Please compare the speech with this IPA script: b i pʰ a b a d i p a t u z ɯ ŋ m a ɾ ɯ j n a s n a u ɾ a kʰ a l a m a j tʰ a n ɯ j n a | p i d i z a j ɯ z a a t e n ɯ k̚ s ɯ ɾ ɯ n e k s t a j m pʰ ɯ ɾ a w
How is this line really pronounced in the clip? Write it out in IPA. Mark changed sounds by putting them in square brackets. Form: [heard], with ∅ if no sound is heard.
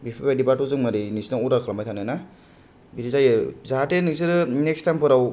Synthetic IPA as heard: b i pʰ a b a d i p a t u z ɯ ŋ m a ɾ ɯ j n [i] s n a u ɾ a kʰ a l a m a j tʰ a n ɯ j n a | [b] i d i z a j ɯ z a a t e n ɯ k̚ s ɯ ɾ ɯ n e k s t a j m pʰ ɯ ɾ a w